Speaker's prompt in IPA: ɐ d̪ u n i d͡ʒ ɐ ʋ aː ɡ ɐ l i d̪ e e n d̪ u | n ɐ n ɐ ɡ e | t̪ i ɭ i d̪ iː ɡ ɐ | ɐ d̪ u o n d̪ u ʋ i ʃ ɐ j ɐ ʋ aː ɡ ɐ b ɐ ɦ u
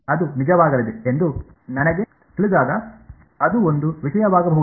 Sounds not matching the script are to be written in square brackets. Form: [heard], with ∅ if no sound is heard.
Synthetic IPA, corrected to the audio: ɐ d̪ u n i d͡ʒ ɐ ʋ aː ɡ ɐ l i d̪ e e n d̪ u | n ɐ n ɐ ɡ e | t̪ i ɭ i d̪ [aː] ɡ ɐ | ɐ d̪ u o n d̪ u ʋ i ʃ ɐ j ɐ ʋ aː ɡ ɐ b ɐ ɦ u